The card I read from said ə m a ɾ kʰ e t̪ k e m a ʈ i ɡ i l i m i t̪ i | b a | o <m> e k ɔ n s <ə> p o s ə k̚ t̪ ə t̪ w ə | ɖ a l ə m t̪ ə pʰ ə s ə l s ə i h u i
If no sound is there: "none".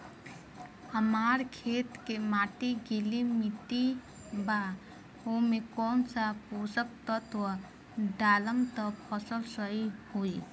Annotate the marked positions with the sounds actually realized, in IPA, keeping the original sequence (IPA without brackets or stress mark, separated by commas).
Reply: m, a